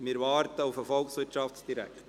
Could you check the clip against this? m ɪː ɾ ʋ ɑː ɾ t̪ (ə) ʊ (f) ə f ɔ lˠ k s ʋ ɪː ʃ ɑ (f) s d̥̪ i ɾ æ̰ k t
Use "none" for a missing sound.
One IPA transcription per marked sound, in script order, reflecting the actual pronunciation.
ə, f, f

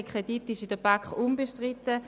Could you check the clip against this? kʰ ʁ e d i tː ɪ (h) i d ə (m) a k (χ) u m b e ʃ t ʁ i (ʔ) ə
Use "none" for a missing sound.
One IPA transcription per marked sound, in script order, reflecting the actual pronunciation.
ʃ, b, χ, t

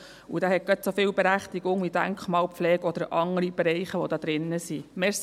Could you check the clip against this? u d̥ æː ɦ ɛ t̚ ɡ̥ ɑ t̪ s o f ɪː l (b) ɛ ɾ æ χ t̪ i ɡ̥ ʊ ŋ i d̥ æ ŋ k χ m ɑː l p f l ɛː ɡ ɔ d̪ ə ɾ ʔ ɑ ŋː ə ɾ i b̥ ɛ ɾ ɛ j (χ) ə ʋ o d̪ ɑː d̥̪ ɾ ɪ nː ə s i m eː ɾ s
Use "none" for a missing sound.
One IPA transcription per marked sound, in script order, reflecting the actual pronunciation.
b, χ

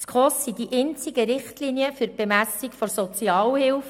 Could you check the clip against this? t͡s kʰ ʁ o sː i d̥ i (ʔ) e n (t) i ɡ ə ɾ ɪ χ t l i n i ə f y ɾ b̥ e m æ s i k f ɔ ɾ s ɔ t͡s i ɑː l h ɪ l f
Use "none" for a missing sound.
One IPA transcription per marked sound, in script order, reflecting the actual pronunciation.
ʔ, t͡s

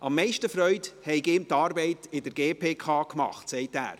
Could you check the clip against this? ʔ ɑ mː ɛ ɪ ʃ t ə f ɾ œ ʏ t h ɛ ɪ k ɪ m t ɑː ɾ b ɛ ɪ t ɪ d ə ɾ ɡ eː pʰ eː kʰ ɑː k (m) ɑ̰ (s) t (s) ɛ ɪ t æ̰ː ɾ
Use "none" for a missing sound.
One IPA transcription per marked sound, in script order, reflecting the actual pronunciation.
m, χ, s

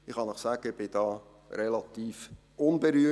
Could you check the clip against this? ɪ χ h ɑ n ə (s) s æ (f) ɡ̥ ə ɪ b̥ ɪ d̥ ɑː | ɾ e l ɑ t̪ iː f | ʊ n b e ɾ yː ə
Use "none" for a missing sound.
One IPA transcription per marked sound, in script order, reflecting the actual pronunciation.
χ, none

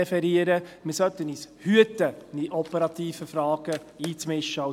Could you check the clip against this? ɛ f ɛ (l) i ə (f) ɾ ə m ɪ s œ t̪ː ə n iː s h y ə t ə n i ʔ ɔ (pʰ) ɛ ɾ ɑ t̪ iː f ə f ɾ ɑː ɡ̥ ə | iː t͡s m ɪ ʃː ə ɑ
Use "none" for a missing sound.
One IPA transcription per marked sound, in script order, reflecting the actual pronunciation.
ɾ, none, p

